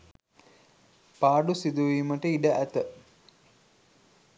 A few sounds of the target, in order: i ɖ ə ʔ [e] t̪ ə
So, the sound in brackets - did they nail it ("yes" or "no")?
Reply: no